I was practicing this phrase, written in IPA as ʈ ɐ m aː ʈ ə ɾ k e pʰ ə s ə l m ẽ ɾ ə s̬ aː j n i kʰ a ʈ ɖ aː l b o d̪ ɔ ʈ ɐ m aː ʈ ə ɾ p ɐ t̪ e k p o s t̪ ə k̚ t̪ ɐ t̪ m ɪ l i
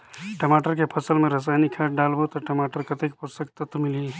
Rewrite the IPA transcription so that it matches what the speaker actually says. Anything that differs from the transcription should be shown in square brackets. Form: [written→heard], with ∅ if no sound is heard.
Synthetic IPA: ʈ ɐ m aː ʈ ə ɾ k e pʰ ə s ə l m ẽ ɾ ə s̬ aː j n i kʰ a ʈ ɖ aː l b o [d̪→t̪] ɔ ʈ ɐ m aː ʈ ə ɾ [p→k] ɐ t̪ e k p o s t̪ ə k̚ t̪ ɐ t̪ m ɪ l i

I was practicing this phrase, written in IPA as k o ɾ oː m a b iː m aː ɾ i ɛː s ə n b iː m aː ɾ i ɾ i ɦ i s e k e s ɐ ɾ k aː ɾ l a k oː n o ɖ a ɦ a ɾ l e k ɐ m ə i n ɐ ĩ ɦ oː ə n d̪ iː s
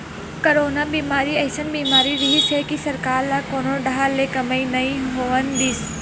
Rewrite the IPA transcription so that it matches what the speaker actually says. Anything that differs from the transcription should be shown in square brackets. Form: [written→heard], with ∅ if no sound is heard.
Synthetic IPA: k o ɾ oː [m→n] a b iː m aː ɾ i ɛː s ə n b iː m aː ɾ i ɾ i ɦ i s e k [e→i] s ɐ ɾ k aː ɾ l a k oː n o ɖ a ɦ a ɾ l e k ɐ m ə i n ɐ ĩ ɦ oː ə n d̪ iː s

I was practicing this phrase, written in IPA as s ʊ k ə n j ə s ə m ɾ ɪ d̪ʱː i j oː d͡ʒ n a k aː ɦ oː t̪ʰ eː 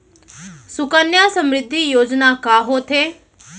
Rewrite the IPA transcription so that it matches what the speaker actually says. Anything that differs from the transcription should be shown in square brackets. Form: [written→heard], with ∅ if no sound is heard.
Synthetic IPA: s ʊ k ə n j [ə→a] s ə m ɾ ɪ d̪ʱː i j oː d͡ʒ n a k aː ɦ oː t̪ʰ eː

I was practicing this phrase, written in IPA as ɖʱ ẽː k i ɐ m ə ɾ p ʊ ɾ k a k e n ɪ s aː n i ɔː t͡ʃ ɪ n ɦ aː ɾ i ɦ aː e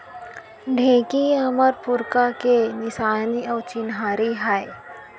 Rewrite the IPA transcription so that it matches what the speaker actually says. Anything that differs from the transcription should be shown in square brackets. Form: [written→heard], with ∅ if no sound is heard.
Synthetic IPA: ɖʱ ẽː k i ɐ m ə ɾ p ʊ ɾ k a k e n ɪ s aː n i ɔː t͡ʃ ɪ n ɦ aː ɾ i ɦ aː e

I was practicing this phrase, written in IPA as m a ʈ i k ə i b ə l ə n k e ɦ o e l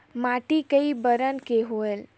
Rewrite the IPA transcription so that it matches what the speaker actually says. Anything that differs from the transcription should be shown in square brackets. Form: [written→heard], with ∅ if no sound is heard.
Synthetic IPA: m a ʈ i k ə i b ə [l→ɾ] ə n k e ɦ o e l

